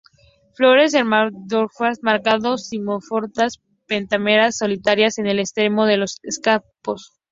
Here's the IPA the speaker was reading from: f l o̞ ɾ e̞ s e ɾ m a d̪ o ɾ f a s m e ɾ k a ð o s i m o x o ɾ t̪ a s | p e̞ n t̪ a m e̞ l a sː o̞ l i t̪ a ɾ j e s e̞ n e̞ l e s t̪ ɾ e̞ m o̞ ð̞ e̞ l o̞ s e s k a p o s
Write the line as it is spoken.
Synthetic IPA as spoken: f l o̞ ɾ e̞ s e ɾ m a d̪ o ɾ f a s m a ɾ k a ð o s i m o f o ɾ t̪ a s | p e̞ n t̪ a m e̞ ɾ a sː o̞ l i t̪ a ɾ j a s e̞ n e̞ l e s t̪ ɾ e̞ m o̞ ð̞ e̞ l o̞ s e s k a p o s